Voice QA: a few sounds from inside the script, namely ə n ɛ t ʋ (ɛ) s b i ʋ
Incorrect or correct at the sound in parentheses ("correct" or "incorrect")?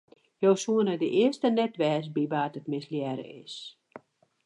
incorrect